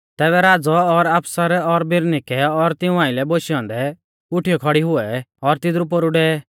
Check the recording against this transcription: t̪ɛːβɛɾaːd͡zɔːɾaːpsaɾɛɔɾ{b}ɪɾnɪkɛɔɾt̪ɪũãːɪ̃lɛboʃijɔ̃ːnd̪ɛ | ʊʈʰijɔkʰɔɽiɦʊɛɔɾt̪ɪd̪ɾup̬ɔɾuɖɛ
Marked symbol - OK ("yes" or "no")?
yes